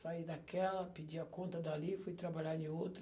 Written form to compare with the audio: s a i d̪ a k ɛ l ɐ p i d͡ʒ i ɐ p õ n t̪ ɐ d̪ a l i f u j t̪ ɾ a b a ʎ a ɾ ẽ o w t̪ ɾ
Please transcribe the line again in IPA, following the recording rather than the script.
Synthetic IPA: s a i d̪ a k ɛ l ɐ p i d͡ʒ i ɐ k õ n t̪ ɐ d̪ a l i f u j t̪ ɾ a b a ʎ a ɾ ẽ o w t̪ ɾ